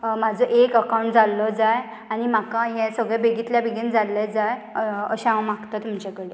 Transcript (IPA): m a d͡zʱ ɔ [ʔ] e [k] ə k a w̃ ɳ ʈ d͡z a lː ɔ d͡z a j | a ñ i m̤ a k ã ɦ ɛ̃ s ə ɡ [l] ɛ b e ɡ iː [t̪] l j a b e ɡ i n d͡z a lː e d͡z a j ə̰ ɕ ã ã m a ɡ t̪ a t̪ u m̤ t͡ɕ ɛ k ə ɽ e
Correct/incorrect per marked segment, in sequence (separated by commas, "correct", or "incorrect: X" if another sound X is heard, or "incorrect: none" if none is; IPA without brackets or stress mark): correct, correct, incorrect: ɭ, correct